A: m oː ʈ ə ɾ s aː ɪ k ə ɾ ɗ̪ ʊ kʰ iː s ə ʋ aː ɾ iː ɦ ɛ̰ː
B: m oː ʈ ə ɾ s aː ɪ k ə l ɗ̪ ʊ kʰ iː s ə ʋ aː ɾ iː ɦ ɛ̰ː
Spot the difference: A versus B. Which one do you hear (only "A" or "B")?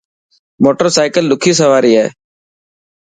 B